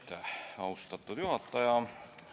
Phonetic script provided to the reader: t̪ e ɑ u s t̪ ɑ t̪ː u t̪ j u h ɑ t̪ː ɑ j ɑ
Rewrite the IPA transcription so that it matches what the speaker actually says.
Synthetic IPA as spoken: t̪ æ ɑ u s t̪ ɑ t̪ː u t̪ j u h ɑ t̪ː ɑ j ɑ